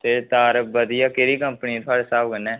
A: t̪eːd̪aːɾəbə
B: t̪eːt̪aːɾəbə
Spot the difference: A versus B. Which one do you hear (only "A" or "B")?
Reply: B